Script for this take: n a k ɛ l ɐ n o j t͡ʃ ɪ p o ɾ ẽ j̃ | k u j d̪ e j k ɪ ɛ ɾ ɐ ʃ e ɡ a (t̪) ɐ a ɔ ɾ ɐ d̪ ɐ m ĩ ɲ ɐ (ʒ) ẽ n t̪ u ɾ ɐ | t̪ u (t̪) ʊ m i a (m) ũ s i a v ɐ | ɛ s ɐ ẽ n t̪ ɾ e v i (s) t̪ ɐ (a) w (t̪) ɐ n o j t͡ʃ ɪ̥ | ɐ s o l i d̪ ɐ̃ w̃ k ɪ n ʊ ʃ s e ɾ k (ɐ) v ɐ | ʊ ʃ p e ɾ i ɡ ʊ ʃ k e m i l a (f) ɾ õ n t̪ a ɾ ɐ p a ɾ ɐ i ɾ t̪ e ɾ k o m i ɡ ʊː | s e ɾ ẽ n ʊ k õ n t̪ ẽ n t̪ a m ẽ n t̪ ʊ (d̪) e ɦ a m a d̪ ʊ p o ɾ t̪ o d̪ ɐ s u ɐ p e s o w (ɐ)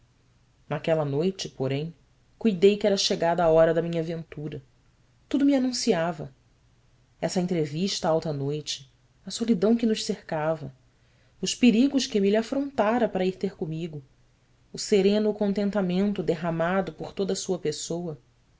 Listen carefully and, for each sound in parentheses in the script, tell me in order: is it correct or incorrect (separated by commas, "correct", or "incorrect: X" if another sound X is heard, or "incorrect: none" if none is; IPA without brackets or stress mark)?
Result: incorrect: d̪, incorrect: v, incorrect: d̪, incorrect: n, incorrect: ʃ, correct, correct, incorrect: a, correct, correct, correct